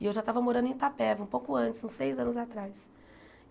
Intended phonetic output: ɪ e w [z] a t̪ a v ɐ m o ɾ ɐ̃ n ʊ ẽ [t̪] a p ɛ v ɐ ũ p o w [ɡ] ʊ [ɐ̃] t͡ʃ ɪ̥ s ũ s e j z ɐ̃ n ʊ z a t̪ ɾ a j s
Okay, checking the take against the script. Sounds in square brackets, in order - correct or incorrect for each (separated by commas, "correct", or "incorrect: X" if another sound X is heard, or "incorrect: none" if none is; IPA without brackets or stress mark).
incorrect: ʒ, correct, incorrect: k, correct